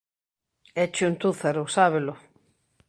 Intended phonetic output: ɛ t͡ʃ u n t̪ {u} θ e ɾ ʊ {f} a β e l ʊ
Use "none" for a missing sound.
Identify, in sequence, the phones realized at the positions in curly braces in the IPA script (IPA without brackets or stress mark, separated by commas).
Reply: u, s